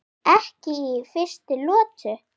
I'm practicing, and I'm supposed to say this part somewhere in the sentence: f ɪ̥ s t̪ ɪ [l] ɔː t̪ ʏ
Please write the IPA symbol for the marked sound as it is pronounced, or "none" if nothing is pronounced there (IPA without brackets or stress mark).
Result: l